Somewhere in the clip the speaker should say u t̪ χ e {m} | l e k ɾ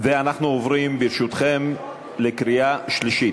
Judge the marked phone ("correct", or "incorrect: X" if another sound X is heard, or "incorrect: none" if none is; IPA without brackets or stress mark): correct